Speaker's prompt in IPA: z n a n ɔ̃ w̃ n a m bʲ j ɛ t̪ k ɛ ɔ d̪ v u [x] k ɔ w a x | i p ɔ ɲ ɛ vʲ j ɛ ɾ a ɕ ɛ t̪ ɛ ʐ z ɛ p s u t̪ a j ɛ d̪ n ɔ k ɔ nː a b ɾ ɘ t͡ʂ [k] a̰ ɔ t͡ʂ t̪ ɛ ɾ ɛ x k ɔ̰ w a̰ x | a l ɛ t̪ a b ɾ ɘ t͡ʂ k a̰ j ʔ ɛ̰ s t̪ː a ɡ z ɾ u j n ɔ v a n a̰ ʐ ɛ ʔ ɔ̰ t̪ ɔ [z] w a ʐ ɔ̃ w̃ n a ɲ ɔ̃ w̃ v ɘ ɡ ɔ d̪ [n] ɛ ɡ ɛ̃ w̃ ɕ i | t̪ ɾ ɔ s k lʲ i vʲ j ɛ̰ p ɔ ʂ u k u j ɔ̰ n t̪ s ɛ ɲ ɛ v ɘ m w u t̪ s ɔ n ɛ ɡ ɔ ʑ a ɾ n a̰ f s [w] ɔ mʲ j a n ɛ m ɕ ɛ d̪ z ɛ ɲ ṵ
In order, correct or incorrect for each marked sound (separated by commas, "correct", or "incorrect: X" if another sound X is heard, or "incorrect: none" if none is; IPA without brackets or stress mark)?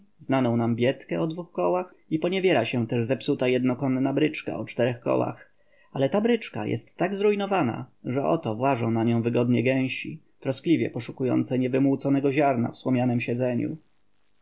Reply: correct, correct, incorrect: v, incorrect: ɲ, correct